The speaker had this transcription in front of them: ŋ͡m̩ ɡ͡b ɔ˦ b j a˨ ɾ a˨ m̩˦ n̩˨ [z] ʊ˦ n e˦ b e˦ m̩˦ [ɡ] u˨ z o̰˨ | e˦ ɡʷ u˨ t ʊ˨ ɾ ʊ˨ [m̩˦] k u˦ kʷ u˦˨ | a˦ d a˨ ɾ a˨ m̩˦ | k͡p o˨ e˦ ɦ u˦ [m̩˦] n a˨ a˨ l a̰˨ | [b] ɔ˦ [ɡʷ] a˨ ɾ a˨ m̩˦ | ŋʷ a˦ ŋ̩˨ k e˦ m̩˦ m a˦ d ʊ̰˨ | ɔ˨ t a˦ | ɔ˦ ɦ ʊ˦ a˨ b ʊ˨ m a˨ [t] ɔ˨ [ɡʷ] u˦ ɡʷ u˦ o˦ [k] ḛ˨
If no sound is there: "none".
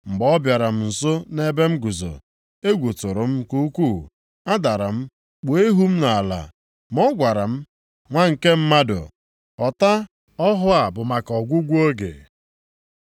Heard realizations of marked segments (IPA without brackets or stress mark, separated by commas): s, ɡ, m̩˦, m̩˦, m, ɡʷ, k, ɡʷ, ɡ